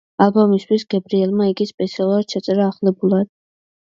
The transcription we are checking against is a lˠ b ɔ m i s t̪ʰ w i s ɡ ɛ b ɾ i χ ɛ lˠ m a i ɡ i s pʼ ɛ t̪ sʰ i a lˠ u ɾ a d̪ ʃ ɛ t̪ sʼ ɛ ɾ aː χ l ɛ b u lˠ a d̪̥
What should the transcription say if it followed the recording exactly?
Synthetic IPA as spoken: a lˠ b ɔ m i s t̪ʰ w i s ɡ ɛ b ɾ i ɛ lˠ m a i ɡ i s pʼ ɛ t̪ sʰ i a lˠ u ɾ a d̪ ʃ ɛ t̪ sʼ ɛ ɾ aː χ l ɛ b u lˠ a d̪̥